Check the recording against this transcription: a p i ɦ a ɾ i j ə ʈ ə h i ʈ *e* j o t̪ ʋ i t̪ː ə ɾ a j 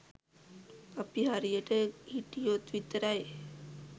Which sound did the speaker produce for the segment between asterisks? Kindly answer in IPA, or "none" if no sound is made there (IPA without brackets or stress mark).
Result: i